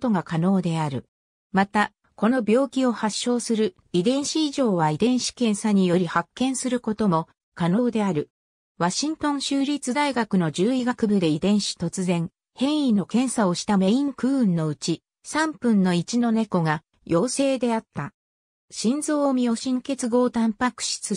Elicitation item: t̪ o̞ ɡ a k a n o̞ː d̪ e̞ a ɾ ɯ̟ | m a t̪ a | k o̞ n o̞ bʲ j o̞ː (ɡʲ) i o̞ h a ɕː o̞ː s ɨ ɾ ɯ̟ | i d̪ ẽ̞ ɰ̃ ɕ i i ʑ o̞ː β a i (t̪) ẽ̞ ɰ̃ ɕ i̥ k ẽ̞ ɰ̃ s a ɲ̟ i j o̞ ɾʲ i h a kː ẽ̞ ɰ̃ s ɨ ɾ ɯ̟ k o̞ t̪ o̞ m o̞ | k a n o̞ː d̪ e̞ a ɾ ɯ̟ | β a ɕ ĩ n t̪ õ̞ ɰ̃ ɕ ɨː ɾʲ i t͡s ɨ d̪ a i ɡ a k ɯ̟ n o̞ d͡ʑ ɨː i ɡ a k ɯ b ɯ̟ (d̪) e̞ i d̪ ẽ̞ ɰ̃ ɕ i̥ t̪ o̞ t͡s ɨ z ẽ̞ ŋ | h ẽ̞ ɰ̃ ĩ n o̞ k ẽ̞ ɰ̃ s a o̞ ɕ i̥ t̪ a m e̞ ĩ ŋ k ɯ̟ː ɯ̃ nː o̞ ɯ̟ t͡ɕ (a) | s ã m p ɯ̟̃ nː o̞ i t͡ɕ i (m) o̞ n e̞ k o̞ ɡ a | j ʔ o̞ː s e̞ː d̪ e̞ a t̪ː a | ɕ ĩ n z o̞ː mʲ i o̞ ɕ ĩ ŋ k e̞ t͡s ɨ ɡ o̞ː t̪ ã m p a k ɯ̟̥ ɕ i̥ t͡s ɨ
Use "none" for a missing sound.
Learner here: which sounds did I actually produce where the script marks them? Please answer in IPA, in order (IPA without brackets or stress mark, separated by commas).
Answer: kʲ, d̪, d̪, i, n